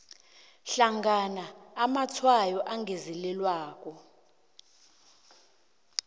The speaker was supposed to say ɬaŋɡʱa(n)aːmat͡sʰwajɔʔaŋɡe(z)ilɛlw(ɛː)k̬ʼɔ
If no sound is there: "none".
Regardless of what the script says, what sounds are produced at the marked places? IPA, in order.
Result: n, z, aː

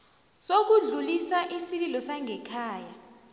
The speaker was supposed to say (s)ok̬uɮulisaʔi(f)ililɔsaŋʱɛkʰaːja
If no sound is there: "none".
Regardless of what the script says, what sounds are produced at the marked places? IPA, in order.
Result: s, s

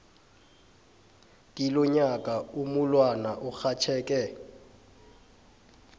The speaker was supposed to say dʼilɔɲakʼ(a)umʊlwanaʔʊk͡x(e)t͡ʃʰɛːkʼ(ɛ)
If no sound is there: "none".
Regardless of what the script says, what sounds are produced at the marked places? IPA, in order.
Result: a, a, ɛ

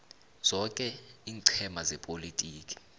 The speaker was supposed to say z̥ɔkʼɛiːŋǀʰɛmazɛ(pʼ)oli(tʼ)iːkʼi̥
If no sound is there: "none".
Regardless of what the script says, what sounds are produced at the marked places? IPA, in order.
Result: pʼ, tʼ

